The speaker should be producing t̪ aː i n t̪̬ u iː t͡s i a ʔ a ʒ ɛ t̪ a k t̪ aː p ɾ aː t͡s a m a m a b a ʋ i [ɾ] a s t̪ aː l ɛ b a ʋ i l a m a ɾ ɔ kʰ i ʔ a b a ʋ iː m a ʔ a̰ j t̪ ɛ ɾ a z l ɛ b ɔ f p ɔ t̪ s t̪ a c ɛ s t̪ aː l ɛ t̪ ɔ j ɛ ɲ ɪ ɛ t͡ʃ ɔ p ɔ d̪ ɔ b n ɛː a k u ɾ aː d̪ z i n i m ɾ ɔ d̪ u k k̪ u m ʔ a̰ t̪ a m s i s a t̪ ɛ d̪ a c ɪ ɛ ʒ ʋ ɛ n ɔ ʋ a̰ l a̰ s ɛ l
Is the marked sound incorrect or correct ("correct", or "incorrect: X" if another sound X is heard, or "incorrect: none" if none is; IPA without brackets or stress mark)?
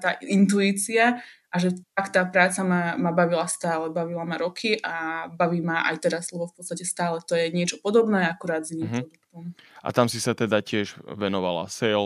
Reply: incorrect: l